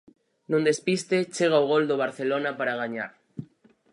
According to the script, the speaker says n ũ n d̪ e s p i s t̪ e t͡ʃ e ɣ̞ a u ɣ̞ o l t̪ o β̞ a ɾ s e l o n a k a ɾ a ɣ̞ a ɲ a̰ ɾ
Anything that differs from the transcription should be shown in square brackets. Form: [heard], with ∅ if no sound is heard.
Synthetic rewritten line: n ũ n d̪ e s p i s t̪ e t͡ʃ e ɣ̞ a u ɣ̞ o l [d̪] o β̞ a ɾ [θ] e l o n a [p] a ɾ a ɣ̞ a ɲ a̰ ɾ